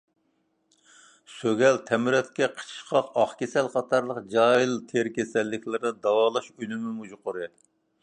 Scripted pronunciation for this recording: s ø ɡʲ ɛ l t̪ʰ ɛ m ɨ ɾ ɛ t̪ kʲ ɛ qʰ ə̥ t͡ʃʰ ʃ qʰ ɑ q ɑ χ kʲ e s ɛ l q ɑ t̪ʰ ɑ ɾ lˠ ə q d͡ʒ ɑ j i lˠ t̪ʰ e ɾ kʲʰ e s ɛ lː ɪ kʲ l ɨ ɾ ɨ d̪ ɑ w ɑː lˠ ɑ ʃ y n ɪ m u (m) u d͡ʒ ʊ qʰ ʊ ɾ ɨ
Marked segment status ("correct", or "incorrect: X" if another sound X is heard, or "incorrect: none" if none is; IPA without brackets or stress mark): correct